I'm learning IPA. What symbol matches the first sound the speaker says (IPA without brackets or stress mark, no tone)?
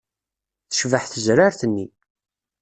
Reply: θ